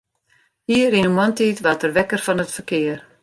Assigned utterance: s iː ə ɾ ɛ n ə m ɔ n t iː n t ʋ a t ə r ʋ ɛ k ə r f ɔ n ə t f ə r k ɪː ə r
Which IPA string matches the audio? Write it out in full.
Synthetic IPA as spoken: h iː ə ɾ i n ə m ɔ n t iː t ʋ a t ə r ʋ ɛ k ə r f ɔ n ə t f ə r k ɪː ə r